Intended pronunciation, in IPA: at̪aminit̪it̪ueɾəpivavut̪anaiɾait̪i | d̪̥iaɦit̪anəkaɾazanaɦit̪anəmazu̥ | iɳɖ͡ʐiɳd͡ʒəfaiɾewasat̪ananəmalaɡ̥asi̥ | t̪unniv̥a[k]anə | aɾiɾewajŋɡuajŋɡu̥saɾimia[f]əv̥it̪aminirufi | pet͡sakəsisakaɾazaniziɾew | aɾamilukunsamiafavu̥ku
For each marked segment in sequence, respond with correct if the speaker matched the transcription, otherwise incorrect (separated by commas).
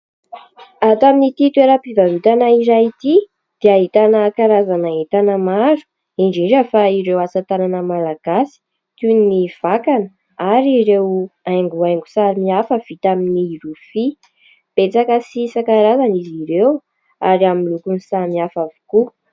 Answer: correct, correct